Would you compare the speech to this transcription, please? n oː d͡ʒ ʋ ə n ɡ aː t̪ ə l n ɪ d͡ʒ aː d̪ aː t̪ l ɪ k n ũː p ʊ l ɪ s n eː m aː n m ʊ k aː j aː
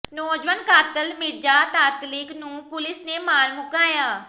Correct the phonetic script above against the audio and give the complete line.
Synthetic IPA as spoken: n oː d͡ʒ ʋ ə n k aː t̪ ə l m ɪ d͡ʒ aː t̪ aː t̪ l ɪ k n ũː p ʊ l ɪ s n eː m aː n m ʊ k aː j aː